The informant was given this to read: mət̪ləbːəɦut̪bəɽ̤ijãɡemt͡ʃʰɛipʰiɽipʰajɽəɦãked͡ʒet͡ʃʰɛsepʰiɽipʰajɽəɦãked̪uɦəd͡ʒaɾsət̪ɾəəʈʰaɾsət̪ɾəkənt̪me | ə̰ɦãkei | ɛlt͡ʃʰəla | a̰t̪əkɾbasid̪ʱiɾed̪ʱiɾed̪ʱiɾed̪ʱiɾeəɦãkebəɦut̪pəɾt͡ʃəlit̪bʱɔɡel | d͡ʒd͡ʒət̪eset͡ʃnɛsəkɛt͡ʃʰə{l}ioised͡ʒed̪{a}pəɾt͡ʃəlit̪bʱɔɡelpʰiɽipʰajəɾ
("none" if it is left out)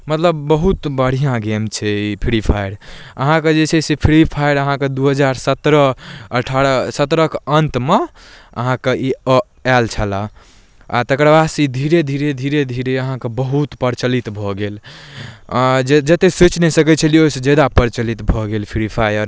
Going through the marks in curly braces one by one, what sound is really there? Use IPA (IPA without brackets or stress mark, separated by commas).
l, a